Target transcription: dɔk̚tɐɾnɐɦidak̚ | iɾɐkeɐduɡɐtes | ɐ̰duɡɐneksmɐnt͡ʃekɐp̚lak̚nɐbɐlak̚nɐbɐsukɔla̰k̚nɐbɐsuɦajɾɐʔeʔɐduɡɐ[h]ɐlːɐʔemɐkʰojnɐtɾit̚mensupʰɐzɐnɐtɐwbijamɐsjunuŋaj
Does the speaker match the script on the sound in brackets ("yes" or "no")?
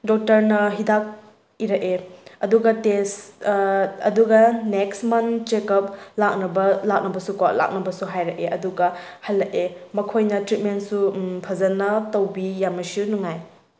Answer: yes